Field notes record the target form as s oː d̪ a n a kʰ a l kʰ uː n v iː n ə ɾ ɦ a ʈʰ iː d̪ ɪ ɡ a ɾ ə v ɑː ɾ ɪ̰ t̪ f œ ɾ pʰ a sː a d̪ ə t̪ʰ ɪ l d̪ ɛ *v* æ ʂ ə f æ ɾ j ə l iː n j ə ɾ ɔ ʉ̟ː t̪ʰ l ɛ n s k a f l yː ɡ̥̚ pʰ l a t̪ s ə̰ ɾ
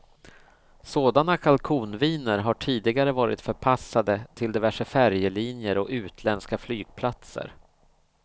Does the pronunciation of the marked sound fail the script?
no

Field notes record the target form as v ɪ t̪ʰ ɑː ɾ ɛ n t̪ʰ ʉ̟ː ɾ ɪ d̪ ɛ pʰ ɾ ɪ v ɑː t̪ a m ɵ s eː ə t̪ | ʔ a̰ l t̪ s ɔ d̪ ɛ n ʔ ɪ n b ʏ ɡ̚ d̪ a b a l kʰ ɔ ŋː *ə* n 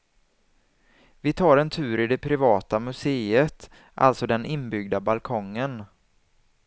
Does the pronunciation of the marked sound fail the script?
no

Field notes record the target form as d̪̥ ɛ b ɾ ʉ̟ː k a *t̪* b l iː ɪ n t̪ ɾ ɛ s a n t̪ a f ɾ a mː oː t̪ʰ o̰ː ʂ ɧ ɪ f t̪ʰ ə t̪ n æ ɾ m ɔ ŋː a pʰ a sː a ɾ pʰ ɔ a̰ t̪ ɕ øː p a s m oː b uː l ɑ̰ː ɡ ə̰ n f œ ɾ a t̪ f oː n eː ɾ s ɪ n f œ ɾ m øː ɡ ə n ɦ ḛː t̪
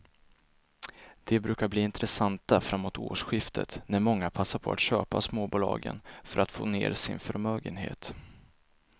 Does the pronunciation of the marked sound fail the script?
yes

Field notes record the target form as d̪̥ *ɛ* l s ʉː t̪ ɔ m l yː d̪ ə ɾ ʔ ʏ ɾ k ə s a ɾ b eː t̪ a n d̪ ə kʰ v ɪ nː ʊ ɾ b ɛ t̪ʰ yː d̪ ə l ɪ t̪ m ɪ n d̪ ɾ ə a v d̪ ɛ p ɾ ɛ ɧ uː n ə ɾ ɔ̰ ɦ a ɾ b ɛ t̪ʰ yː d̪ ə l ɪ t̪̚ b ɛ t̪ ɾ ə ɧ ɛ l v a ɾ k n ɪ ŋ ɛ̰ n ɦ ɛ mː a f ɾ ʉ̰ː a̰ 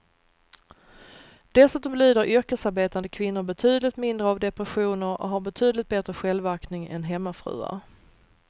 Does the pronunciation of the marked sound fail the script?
no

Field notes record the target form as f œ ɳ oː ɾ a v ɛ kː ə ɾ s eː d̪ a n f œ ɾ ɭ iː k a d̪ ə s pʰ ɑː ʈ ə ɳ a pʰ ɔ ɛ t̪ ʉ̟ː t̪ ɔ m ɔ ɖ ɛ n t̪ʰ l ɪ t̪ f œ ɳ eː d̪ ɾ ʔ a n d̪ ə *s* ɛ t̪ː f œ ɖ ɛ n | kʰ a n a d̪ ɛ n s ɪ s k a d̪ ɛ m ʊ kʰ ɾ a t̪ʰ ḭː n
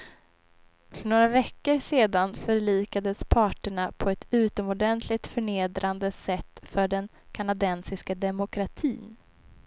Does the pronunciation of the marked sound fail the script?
no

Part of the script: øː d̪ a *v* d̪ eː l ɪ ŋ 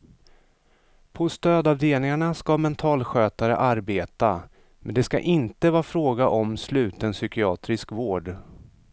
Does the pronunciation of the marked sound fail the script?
no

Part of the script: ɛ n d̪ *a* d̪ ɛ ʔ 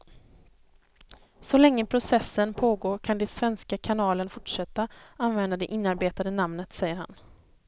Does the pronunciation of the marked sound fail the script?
no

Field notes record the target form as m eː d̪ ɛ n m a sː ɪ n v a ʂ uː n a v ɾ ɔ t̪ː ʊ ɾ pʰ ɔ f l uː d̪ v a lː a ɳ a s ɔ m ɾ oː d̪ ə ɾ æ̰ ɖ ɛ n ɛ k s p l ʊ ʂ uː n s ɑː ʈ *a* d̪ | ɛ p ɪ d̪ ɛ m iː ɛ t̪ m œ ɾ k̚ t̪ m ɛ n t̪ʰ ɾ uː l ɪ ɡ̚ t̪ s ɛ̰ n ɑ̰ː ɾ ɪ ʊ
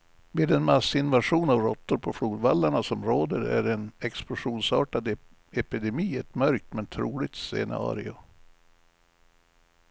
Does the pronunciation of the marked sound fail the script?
no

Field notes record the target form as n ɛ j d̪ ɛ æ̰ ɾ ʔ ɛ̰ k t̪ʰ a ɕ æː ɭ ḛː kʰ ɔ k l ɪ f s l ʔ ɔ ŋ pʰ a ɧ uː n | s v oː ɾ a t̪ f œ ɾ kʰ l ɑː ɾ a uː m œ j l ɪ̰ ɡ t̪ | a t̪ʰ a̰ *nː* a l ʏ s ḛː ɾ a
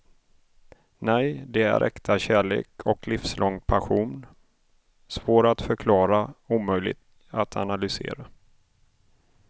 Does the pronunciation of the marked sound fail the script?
yes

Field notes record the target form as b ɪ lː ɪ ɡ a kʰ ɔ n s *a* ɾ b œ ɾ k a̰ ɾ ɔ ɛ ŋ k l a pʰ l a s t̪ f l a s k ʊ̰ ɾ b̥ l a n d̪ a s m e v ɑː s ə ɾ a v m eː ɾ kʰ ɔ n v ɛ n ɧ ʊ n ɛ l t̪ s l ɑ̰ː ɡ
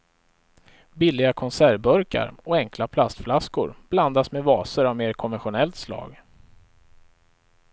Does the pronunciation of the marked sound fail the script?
yes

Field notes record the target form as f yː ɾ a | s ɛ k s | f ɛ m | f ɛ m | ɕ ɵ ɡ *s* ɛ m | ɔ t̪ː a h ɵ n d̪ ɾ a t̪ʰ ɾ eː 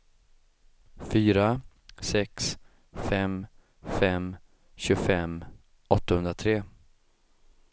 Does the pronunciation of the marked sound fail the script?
yes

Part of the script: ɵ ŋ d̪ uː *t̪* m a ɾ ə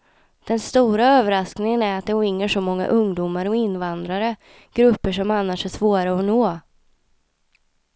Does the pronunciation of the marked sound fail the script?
yes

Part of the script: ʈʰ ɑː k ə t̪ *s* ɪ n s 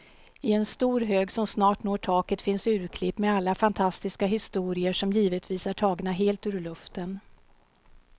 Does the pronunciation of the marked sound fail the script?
yes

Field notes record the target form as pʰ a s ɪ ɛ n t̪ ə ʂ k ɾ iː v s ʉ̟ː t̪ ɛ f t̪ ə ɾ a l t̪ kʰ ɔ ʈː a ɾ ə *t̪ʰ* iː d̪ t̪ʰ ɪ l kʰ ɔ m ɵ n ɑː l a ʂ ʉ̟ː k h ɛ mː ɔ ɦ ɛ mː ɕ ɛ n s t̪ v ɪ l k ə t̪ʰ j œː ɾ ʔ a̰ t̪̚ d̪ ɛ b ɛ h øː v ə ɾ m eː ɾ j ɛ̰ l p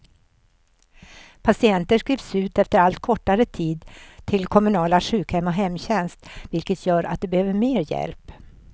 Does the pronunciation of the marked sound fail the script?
no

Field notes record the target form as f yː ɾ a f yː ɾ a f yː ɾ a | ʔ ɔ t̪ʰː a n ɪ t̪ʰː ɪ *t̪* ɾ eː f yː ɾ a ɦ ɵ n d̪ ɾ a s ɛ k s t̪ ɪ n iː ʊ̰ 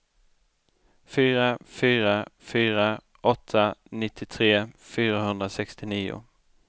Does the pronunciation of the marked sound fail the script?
yes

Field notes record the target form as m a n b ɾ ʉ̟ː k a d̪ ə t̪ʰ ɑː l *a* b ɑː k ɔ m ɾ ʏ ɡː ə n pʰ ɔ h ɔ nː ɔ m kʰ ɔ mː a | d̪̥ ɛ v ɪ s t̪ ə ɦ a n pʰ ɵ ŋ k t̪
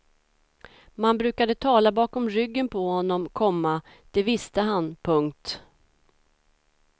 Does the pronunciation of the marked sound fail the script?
no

